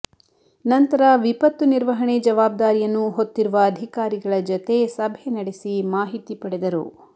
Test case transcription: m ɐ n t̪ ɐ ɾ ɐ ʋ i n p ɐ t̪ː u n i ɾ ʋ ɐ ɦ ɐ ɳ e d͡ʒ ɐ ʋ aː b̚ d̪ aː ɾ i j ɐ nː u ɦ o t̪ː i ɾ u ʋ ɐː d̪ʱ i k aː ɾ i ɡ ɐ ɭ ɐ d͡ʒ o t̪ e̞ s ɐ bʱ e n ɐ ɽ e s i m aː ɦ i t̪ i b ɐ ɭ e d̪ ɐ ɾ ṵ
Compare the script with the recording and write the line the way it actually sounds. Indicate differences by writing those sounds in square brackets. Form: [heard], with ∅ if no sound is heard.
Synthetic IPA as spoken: [n] ɐ n t̪ ɐ ɾ ɐ ʋ i [∅] p ɐ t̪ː u n i ɾ ʋ ɐ ɦ ɐ ɳ e d͡ʒ ɐ ʋ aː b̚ d̪ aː ɾ i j ɐ nː u ɦ o t̪ː i ɾ u ʋ ɐː d̪ʱ i k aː ɾ i ɡ ɐ ɭ ɐ d͡ʒ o t̪ e̞ s ɐ bʱ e n ɐ ɽ e s i m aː ɦ i t̪ i [p] ɐ [ɽ] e d̪ ɐ ɾ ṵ